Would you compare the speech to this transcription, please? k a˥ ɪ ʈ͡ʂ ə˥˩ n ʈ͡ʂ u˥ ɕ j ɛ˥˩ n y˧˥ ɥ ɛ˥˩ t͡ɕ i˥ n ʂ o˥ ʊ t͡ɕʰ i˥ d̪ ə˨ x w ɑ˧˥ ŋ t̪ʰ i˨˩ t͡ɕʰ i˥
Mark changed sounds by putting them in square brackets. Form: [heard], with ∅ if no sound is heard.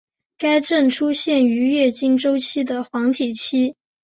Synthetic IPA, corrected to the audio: k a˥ ɪ ʈ͡ʂ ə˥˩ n [ʈ͡ʂʰ] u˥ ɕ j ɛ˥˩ n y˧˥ ɥ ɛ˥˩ t͡ɕ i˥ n [ʈ͡ʂ] o˥ ʊ t͡ɕʰ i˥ d̪ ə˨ x w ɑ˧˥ ŋ t̪ʰ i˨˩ t͡ɕʰ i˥